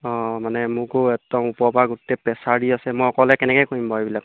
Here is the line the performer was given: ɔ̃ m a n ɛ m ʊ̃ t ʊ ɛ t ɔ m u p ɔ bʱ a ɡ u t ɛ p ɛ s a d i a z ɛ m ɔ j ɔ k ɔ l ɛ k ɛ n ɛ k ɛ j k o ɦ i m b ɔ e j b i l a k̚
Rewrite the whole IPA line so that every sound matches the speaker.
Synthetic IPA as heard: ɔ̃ m a n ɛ m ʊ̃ k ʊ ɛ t ɔ m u p ɔ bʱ a ɡ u t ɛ p ɛ s a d i a s ɛ m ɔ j ɔ k ɔ l ɛ k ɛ n ɛ k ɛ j k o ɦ i m b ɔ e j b i l a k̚